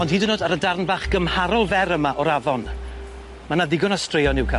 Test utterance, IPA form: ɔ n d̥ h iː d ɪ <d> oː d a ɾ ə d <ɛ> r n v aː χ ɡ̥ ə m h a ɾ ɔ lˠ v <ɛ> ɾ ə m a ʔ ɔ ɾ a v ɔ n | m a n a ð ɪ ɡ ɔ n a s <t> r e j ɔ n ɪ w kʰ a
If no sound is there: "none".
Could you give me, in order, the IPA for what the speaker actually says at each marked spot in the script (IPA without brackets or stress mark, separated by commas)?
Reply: n, a, ɛ, t